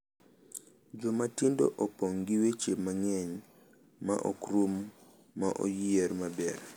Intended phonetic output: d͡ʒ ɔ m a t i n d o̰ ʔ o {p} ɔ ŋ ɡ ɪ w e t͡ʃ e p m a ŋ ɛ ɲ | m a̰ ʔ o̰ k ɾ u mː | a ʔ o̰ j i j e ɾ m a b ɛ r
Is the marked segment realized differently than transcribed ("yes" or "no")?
no